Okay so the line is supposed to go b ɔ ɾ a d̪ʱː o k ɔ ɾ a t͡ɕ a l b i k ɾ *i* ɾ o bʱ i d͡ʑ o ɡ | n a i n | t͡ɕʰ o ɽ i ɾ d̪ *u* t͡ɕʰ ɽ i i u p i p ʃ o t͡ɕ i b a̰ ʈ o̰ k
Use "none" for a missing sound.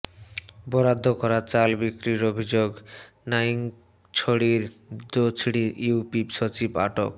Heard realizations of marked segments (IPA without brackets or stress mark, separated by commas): i, o